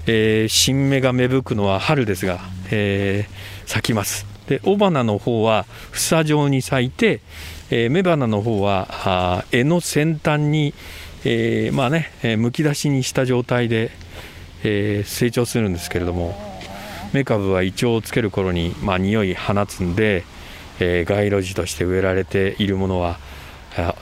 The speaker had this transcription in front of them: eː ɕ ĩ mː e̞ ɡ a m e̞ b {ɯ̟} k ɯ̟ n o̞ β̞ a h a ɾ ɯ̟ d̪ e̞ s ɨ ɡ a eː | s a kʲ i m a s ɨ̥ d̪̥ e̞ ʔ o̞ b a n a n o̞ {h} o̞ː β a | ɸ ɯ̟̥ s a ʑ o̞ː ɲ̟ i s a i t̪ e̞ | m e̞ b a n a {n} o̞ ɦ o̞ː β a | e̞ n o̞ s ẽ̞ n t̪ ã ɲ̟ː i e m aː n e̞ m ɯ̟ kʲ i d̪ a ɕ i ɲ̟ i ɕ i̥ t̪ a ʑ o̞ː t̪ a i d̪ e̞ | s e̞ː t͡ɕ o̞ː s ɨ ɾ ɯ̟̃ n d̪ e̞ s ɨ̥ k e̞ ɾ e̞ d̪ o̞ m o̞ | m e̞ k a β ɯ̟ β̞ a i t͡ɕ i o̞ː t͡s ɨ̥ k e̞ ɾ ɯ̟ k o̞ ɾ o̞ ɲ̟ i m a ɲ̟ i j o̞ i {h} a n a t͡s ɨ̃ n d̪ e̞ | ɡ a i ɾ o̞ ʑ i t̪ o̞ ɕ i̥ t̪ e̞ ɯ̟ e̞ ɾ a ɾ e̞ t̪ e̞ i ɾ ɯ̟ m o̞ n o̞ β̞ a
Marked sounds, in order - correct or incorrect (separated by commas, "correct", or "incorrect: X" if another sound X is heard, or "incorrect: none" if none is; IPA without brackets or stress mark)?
correct, correct, correct, correct